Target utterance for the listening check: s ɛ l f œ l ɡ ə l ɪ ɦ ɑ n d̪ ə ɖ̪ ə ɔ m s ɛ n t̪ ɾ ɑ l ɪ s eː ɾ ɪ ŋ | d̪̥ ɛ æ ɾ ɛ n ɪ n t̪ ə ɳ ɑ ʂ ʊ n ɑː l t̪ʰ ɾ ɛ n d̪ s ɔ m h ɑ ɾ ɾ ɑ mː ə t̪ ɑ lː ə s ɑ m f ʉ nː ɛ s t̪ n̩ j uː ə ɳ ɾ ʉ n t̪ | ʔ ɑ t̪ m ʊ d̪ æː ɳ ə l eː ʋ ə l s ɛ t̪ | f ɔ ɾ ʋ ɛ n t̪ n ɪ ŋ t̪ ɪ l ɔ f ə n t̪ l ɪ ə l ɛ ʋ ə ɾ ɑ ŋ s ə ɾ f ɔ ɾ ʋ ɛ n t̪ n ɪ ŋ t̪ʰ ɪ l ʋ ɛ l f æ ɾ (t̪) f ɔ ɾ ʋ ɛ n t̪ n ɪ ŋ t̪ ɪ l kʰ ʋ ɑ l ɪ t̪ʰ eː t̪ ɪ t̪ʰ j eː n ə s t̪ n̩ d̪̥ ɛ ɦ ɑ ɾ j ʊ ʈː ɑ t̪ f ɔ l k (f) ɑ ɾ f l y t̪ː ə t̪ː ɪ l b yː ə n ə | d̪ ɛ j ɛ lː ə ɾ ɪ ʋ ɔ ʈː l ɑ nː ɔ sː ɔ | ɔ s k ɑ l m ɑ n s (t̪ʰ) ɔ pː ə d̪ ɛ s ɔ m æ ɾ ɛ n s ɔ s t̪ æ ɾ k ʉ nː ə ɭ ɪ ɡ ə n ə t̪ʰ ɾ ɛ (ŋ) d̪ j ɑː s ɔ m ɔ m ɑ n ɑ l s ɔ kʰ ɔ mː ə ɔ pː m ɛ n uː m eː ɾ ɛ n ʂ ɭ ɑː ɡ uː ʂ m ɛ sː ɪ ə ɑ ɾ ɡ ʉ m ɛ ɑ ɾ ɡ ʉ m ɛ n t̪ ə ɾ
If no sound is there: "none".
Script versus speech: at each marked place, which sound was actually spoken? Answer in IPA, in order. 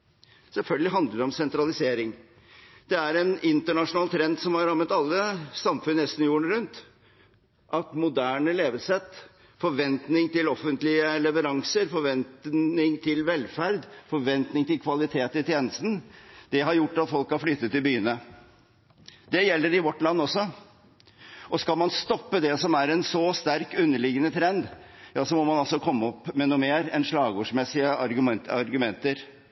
d̪, h, t̪, n

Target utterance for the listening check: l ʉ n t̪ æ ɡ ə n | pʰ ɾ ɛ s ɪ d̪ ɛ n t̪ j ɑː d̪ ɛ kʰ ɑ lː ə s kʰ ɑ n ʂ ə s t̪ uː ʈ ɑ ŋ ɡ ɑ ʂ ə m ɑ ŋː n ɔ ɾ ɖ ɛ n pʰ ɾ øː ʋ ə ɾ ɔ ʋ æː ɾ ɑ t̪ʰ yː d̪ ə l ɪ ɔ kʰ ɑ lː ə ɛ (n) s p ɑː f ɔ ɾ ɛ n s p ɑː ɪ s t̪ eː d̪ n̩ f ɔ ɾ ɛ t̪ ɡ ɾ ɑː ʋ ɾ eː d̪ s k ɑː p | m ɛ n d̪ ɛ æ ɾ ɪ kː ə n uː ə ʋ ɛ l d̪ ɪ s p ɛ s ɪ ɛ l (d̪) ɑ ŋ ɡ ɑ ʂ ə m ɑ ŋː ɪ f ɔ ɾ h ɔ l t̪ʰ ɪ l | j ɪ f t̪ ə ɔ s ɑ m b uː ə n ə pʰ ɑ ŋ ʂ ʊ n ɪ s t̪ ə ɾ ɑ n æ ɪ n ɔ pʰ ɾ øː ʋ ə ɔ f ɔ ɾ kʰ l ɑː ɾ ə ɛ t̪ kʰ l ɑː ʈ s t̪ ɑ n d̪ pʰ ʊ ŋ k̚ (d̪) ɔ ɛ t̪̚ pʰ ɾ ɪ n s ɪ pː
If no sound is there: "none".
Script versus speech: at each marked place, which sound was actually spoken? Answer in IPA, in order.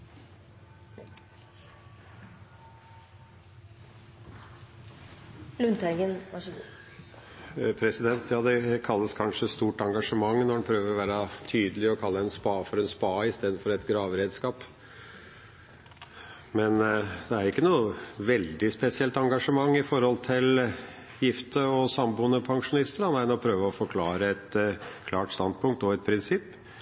n, t̪, t̪

